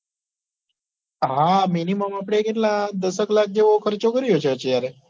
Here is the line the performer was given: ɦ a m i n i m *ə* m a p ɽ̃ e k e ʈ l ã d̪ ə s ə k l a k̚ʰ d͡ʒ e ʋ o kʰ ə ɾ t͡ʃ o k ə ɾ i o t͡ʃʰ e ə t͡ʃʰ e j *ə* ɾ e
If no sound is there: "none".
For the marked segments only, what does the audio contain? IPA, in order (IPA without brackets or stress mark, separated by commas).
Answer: ə, a